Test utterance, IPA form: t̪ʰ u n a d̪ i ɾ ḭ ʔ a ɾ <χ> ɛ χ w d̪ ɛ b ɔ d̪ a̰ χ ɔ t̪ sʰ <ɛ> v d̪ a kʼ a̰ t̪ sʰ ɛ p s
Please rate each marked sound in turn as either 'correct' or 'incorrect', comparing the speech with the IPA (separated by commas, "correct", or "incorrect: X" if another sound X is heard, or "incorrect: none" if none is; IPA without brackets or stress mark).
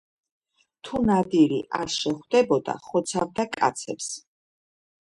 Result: incorrect: ʃ, incorrect: a